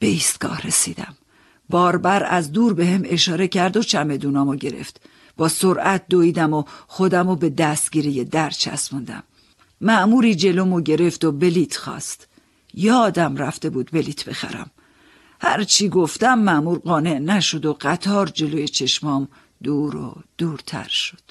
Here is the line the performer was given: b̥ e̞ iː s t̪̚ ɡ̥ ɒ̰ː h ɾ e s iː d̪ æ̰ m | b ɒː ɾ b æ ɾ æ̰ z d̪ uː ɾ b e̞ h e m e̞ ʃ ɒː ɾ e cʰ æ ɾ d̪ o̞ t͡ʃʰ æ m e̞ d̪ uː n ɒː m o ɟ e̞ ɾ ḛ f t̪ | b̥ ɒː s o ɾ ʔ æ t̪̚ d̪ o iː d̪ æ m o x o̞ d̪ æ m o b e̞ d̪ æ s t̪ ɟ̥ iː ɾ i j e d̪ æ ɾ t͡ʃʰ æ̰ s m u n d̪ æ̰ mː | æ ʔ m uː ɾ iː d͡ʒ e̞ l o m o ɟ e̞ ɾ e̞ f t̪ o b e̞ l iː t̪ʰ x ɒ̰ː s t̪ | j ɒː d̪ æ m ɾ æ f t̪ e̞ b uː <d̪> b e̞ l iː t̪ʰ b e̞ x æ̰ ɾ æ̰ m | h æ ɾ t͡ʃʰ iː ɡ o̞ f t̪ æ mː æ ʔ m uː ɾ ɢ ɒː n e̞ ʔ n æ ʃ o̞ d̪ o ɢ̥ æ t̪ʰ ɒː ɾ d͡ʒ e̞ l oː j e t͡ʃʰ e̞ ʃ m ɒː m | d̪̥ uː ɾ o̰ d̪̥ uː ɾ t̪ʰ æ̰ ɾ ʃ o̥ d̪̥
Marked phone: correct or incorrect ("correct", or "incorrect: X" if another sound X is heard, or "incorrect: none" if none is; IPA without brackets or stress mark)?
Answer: correct